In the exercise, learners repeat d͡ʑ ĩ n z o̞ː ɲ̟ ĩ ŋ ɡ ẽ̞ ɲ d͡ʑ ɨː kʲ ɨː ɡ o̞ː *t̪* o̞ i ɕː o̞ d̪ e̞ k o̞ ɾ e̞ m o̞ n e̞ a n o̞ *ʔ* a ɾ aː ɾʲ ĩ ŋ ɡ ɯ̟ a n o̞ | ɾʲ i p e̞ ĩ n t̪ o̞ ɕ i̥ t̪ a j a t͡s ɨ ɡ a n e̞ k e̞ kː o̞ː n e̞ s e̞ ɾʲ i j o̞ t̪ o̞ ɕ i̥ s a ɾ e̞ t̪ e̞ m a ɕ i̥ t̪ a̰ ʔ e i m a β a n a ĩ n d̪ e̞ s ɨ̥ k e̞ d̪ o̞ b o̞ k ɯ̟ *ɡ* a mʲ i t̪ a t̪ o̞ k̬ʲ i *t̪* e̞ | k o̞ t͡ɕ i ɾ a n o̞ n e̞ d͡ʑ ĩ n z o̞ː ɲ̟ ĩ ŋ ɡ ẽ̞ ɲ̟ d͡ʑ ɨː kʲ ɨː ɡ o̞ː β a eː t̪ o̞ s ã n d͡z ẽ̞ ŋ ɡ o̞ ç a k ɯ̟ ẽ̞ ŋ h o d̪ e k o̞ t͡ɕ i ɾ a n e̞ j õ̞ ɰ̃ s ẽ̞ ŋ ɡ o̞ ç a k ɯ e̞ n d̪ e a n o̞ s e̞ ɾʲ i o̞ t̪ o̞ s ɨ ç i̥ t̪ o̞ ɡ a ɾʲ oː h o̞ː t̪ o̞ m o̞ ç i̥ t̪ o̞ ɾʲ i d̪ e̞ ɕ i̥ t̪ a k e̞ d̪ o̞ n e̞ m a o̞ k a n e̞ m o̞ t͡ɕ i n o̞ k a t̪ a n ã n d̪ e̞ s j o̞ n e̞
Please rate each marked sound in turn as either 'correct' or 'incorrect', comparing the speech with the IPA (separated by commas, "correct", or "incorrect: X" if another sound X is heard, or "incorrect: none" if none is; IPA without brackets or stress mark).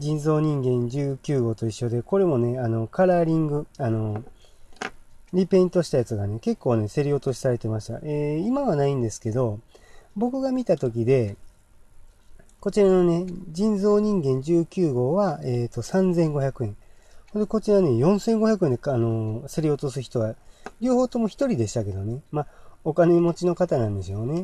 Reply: correct, incorrect: k, correct, incorrect: d̪